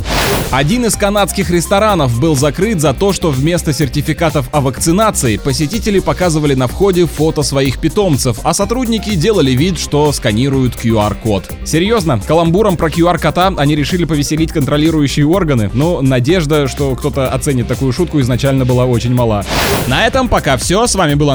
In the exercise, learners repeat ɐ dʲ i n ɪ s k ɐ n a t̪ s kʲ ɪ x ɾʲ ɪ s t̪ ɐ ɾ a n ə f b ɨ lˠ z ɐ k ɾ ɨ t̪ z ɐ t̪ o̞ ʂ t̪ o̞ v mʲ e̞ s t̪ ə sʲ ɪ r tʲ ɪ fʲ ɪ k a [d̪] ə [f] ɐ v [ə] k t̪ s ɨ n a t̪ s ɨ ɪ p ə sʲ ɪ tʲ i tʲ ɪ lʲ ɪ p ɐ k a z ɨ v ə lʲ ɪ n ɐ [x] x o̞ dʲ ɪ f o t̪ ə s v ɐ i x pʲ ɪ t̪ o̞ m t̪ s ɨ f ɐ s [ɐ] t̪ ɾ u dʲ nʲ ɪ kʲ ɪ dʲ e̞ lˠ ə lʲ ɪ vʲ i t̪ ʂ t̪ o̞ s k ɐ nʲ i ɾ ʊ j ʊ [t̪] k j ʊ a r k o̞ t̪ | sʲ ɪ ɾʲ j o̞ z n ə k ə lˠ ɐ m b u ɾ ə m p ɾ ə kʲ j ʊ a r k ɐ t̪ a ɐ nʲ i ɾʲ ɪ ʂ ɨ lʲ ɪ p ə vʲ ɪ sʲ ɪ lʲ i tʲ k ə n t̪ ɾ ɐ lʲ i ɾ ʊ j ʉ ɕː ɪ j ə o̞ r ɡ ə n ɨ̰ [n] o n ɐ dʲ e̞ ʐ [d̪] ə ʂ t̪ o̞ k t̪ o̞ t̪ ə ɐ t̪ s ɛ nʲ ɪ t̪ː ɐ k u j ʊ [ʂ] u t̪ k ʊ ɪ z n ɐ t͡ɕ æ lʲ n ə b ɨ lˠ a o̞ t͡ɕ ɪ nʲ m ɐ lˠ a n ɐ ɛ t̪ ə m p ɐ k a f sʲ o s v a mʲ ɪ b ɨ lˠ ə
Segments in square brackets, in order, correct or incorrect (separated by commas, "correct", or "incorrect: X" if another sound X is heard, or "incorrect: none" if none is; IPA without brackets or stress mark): incorrect: t̪, correct, correct, incorrect: f, correct, correct, correct, correct, correct